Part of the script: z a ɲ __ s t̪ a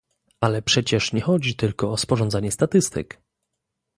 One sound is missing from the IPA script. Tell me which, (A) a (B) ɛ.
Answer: B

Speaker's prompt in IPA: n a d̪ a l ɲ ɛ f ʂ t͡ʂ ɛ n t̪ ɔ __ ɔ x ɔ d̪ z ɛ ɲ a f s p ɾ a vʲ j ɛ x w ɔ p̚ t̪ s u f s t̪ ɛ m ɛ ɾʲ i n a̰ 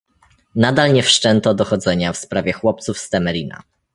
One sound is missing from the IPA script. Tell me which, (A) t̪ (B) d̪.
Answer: B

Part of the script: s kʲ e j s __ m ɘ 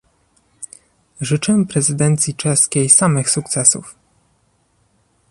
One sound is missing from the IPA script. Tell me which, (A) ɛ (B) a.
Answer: B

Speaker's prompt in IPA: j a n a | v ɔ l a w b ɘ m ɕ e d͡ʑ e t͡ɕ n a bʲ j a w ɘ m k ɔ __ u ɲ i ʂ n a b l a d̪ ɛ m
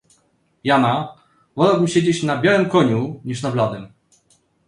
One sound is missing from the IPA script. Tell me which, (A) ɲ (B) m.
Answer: A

